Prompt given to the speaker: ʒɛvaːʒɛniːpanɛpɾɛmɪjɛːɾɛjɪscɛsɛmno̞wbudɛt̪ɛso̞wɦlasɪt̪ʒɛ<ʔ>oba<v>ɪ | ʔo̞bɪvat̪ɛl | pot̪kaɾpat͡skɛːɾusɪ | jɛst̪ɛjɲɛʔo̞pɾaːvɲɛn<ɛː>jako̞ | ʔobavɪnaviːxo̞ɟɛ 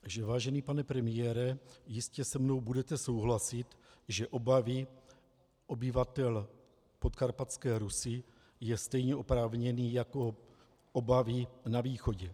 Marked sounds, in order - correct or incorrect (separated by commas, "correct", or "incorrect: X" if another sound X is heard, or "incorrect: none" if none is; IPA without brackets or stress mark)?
correct, correct, incorrect: iː